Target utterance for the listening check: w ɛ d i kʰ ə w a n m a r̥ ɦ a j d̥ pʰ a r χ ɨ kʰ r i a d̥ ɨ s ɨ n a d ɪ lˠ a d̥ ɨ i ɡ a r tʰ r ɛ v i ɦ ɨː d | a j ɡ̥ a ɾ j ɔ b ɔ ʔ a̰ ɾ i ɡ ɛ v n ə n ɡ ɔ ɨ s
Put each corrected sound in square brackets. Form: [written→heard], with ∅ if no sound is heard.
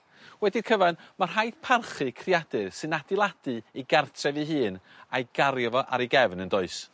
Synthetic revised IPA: w ɛ d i kʰ ə [w→v] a n m a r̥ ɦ a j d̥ pʰ a r χ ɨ kʰ r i a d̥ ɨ s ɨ n a d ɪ lˠ a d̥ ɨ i ɡ a r tʰ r ɛ v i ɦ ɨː [d→n] | a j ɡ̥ a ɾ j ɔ [b→v] ɔ ʔ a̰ ɾ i ɡ ɛ v n ə n [ɡ→d] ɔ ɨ s